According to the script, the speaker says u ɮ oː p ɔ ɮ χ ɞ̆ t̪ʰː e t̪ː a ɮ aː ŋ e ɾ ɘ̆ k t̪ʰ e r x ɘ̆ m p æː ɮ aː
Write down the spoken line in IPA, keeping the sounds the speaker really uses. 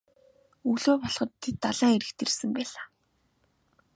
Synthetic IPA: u ɮ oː p ɔ ɮ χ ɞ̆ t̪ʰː e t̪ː a ɮ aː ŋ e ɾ ɘ̆ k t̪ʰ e r s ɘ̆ m p æː ɮ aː